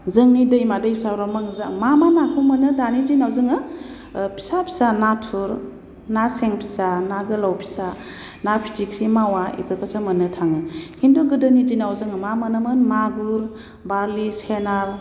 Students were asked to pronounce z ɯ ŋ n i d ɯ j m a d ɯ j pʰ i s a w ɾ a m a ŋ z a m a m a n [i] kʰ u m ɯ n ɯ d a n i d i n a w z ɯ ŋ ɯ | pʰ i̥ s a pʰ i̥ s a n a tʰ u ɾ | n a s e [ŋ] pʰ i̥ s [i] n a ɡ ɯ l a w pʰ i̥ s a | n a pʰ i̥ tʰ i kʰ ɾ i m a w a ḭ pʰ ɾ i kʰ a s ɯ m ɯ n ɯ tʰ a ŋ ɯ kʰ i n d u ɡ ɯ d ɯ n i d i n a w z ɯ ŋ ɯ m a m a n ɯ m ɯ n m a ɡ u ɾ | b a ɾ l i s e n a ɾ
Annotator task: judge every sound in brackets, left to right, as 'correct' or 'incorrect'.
incorrect, correct, incorrect

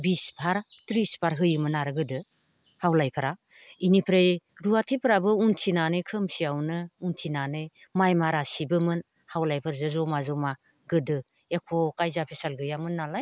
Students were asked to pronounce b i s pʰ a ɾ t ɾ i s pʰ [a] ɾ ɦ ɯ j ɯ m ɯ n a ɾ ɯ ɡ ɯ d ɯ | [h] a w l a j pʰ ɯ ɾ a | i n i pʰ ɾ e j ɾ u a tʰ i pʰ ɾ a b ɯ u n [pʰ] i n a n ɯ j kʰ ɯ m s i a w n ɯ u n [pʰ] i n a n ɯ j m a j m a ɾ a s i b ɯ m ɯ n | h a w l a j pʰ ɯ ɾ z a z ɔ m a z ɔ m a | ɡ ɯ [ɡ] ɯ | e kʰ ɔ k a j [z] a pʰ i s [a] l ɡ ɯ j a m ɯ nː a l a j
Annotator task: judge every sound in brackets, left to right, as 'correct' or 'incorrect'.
correct, correct, incorrect, incorrect, incorrect, correct, correct

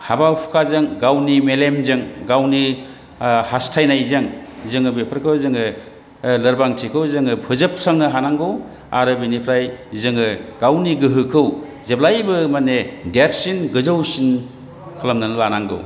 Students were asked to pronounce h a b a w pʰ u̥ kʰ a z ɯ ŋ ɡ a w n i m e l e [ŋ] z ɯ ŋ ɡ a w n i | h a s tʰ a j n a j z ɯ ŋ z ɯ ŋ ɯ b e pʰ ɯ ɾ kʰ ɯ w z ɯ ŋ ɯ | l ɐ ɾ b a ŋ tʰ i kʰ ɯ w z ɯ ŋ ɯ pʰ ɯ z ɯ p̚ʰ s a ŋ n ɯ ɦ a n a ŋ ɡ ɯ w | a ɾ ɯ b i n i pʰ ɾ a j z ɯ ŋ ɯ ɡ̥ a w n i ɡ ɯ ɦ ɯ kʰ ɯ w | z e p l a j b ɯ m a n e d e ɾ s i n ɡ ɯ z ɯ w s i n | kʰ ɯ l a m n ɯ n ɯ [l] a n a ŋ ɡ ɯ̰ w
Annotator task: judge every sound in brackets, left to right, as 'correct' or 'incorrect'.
incorrect, correct

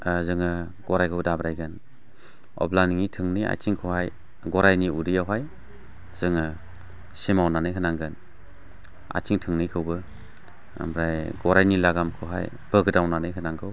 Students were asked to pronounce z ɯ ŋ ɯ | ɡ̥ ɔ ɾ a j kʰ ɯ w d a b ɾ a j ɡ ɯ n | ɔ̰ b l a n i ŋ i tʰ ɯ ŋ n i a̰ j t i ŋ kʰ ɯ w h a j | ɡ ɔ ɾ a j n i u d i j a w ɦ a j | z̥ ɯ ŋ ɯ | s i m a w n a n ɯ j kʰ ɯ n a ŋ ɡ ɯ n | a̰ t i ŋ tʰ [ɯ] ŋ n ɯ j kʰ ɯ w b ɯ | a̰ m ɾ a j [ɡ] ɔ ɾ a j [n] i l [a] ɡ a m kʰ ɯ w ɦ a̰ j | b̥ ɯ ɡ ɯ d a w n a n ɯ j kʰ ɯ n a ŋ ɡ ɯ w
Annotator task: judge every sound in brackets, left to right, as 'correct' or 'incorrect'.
correct, correct, correct, correct

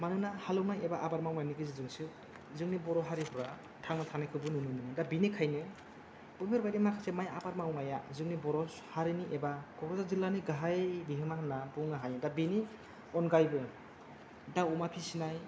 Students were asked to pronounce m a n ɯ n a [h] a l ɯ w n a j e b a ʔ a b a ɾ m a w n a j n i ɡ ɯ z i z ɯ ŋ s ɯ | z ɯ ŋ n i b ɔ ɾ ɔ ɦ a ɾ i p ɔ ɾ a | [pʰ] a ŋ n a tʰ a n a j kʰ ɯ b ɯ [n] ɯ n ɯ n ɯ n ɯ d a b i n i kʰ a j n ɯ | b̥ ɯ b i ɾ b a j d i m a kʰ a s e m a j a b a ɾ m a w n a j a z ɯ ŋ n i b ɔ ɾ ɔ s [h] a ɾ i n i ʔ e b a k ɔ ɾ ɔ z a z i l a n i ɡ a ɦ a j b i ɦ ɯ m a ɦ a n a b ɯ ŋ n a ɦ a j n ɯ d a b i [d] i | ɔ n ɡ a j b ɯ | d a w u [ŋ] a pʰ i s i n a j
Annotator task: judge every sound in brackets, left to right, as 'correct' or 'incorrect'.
correct, incorrect, correct, correct, incorrect, incorrect

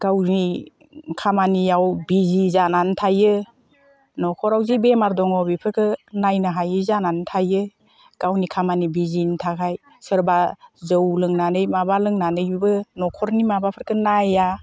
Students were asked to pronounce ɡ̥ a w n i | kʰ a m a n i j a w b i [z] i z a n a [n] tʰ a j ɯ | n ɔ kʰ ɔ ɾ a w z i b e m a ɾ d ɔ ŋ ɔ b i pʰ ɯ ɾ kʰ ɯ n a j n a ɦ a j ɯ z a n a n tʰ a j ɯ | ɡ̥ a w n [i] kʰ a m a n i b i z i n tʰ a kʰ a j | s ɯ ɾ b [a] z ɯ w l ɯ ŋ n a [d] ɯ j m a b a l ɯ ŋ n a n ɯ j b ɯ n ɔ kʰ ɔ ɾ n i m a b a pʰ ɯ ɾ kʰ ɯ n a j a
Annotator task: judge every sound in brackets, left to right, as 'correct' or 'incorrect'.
correct, correct, correct, correct, incorrect

